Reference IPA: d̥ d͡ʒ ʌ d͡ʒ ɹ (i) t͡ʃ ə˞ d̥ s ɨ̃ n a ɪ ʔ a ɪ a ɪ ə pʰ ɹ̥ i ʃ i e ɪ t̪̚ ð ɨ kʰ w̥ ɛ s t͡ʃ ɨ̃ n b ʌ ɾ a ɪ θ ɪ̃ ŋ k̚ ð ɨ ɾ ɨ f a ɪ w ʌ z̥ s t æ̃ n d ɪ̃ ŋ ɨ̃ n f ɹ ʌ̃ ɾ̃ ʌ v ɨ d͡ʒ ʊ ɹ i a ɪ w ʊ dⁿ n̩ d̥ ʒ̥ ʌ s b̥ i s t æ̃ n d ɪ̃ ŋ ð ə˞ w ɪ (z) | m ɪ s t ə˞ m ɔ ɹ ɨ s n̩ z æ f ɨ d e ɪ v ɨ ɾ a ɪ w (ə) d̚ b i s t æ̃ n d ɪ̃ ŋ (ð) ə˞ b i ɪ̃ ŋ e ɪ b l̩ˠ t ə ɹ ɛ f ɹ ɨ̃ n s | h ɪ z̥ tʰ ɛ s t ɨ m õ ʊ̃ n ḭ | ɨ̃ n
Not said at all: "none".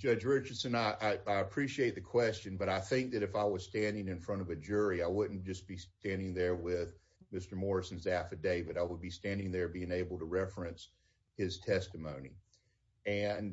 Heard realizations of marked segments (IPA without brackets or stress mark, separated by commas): ɪ, ð, ə, ð